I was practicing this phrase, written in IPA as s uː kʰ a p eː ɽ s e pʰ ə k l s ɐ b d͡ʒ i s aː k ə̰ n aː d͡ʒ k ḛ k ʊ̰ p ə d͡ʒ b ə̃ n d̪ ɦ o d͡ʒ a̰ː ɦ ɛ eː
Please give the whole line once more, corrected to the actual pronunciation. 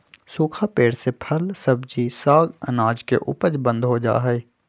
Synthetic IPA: s uː kʰ a p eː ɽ s e pʰ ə l s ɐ b d͡ʒ i s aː ɡ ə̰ n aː d͡ʒ k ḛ ʔ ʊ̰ p ə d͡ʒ b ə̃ n d̪ ɦ o d͡ʒ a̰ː ɦ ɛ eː